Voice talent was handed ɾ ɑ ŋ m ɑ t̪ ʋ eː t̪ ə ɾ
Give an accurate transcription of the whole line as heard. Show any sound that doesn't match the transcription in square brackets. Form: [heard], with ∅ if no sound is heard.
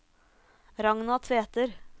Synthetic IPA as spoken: ɾ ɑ ŋ [n] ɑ [t̪ʰ] ʋ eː t̪ ə ɾ